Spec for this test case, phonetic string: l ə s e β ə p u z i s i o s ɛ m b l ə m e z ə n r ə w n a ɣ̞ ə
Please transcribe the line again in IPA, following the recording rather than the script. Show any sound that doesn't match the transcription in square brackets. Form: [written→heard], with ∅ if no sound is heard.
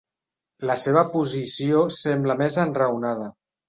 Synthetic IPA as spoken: l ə s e β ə p u z i s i o s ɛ m b l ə m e z ə n r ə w n a [ɣ̞→ð̞] ə

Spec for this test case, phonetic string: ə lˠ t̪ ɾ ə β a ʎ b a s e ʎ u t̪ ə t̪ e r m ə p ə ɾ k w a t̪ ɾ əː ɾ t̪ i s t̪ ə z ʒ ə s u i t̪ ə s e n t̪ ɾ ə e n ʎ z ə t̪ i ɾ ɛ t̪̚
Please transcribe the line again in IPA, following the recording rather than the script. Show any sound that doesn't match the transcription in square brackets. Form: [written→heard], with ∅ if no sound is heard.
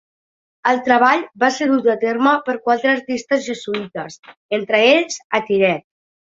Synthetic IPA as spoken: ə lˠ t̪ ɾ ə β a ʎ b a s e [ʎ→ɾ] u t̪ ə t̪ e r m ə p ə ɾ k w a t̪ ɾ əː ɾ t̪ i s t̪ ə z ʒ ə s u i t̪ ə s e n t̪ ɾ ə e [n→∅] ʎ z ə t̪ i ɾ ɛ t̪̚

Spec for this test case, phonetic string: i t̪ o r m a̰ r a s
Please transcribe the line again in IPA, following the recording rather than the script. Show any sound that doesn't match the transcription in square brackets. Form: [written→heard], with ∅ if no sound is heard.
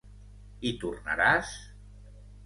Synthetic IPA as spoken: i t̪ [o→u] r [m→n] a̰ [r→ɾ] a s

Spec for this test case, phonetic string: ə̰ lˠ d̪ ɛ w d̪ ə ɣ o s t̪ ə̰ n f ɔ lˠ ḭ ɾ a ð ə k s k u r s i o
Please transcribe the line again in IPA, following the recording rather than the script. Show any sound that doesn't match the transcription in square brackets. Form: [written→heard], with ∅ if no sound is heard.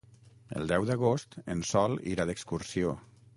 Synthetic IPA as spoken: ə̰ lˠ d̪ ɛ w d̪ ə ɣ o s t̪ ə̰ n [f→s] ɔ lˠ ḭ ɾ a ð ə k s k u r s i o

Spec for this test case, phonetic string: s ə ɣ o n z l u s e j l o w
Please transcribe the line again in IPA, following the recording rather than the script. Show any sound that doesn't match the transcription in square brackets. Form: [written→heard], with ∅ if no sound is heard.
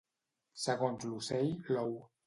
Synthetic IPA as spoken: s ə ɣ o n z l u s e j l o w

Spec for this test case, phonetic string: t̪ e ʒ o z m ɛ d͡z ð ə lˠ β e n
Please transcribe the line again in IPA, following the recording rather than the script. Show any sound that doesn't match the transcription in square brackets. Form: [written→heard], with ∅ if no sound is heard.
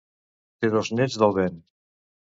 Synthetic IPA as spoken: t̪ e [ʒ→ð] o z [m→n] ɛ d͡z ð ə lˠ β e n

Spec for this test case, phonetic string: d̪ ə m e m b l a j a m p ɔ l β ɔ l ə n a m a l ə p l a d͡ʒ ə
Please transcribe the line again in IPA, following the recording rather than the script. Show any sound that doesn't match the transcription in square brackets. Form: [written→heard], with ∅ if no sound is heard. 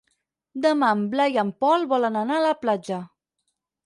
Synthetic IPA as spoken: d̪ ə m [e→a] m b l a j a m p ɔ l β ɔ l ə n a [m→n] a l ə p l a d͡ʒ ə

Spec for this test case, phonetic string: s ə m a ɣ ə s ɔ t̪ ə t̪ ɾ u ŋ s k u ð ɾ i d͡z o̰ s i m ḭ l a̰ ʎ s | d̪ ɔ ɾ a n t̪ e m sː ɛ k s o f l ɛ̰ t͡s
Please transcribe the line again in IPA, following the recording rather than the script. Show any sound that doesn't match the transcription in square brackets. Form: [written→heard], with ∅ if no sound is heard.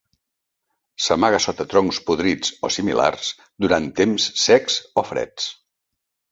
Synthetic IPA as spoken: s ə m a ɣ ə s ɔ t̪ ə t̪ ɾ [u→ɔ] ŋ s [k→p] u ð ɾ i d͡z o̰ s i m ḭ l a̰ [ʎ→r] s | d̪ [ɔ→u] ɾ a n t̪ e m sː ɛ k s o f [l→ɾ] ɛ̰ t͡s

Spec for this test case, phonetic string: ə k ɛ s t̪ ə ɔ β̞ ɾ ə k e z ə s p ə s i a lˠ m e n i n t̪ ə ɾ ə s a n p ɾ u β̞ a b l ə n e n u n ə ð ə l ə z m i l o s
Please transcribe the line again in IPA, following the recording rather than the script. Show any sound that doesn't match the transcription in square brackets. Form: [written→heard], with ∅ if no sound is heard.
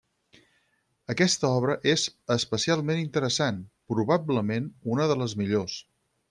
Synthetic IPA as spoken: ə k ɛ s t̪ ə ɔ β̞ ɾ ə [k→ʔ] e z ə s p ə s i a lˠ m e n i n t̪ ə ɾ ə s a n p ɾ u β̞ a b l ə [n→m] e n u n ə ð ə l ə z m i [l→ʎ] o s

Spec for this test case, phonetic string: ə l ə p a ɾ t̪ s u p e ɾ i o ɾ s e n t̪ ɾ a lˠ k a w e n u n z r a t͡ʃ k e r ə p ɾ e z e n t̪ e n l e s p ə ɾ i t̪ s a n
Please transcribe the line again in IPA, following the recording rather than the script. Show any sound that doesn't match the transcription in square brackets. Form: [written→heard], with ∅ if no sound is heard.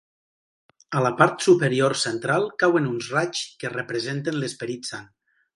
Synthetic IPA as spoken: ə l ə p a ɾ t̪ s u p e ɾ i o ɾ s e n t̪ ɾ a lˠ k a w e n u n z r a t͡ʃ k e r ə p ɾ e z e n t̪ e n l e s p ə ɾ i t̪ s a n

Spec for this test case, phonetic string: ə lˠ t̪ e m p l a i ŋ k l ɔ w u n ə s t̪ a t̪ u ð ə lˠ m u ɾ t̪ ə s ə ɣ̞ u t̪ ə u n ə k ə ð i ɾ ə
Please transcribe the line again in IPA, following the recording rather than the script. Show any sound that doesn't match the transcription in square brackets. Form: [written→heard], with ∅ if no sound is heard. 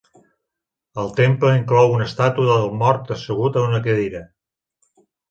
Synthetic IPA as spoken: ə lˠ t̪ e m p l [a→ə] i ŋ k l ɔ w u n ə s t̪ a t̪ u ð ə lˠ m [u→ɔ] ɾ t̪ ə s ə ɣ̞ u t̪ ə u n ə k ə ð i ɾ ə

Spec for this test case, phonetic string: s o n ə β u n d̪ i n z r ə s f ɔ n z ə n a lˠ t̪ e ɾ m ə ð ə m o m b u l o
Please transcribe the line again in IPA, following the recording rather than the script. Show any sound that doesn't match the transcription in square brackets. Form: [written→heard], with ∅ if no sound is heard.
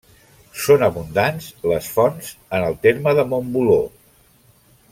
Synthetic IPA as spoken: s o n ə β u n d̪ [i→a] n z [r→l] ə s f ɔ n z ə n [a→ə] lˠ t̪ e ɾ m ə ð ə m o m b u l o

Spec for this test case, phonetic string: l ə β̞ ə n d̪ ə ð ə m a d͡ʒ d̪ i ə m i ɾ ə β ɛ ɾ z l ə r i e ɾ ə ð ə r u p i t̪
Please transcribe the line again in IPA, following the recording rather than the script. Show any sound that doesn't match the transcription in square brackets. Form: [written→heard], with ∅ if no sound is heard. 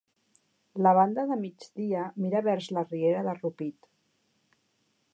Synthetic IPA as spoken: l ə β̞ [ə→a] n d̪ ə ð ə m [a→i] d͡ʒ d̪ i ə m i ɾ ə β ɛ ɾ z l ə r i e ɾ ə ð ə r u p i t̪

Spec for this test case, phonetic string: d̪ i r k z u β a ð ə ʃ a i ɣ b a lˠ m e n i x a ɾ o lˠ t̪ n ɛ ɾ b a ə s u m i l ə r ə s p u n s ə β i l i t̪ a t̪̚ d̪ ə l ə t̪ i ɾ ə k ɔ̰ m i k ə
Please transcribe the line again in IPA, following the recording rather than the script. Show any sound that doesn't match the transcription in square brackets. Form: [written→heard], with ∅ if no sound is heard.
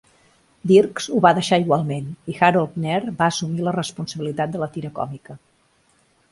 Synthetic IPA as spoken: d̪ i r k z u β a ð ə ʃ a i ɣ [b→w] a lˠ m e n i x a ɾ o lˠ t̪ n ɛ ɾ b a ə s u m i l ə r ə s p u n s ə β i l i t̪ a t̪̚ d̪ ə l ə t̪ i ɾ ə k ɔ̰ m i k ə

